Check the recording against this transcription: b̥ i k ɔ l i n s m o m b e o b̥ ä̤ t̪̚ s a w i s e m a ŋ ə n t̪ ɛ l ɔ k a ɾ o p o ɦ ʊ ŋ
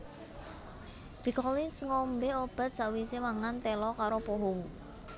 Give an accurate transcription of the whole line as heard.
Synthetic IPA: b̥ i k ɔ l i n s ŋ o m b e o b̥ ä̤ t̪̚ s a w i s e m a ŋ a n t̪ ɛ l ɔ k a ɾ o p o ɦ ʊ ŋ